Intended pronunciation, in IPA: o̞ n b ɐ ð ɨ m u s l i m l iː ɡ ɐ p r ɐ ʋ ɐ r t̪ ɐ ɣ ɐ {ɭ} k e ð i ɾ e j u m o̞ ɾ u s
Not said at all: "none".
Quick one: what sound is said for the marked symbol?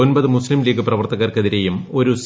r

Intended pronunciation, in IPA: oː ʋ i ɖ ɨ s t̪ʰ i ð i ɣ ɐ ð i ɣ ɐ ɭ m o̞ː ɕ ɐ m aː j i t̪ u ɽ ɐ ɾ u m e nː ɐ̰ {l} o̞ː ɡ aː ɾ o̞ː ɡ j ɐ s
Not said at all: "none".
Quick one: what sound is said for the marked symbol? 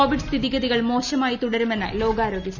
l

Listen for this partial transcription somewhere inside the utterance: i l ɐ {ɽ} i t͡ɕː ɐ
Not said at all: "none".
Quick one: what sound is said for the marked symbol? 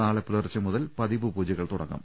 r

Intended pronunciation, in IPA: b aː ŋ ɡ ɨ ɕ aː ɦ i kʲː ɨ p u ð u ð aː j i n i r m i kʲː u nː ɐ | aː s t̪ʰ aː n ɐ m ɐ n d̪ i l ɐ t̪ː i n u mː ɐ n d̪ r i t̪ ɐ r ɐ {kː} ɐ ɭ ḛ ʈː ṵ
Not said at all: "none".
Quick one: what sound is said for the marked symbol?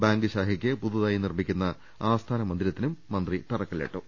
kː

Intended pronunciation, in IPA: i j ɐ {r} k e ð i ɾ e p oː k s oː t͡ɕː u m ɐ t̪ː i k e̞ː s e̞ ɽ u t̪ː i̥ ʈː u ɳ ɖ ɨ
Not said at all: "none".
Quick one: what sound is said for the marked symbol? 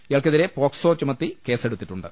ɭ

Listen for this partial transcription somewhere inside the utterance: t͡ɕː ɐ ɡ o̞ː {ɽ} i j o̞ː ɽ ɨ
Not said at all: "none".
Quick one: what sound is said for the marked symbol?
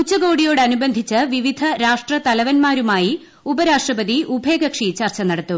ɽ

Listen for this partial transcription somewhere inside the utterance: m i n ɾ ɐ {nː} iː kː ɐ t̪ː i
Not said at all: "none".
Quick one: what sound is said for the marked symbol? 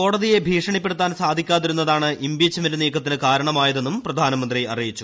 n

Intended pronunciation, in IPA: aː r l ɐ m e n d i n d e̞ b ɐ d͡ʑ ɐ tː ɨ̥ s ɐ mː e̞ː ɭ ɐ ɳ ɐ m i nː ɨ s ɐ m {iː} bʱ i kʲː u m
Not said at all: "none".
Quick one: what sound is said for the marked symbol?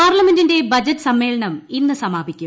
aː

